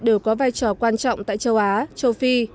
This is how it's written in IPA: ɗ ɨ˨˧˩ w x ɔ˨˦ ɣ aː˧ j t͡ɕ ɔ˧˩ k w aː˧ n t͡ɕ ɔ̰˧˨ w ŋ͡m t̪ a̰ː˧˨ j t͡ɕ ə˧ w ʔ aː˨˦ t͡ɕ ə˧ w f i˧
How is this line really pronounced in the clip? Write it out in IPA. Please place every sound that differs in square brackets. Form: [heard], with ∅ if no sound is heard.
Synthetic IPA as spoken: ɗ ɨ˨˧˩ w [k] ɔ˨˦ [v] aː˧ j t͡ɕ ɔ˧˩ k w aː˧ n t͡ɕ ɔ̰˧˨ w ŋ͡m t̪ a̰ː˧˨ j t͡ɕ ə˧ w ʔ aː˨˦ t͡ɕ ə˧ w f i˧